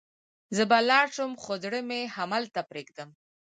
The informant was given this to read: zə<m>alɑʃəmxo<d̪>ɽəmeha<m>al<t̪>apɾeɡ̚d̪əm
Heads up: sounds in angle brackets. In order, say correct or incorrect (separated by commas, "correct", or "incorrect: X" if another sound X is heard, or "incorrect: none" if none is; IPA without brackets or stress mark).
incorrect: b, correct, correct, correct